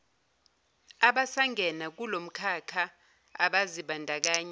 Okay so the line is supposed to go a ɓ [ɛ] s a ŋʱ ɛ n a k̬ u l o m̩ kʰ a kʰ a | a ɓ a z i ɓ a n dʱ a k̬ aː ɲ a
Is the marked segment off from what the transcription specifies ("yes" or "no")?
yes